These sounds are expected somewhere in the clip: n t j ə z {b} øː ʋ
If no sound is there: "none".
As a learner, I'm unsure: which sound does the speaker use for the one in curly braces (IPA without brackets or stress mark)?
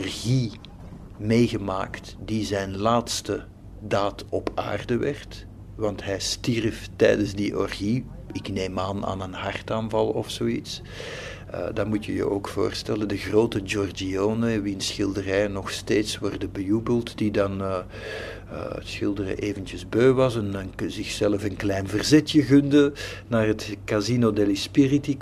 b